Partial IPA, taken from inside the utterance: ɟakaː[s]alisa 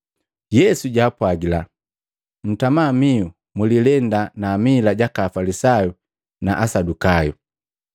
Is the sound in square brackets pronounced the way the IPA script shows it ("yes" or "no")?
no